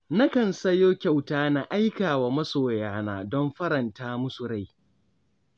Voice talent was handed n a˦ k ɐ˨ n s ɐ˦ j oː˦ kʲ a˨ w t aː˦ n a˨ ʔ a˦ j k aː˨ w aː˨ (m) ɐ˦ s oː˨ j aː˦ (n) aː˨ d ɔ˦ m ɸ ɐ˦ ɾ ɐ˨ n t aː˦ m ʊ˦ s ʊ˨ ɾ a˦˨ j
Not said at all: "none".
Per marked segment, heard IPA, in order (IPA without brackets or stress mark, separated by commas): m, n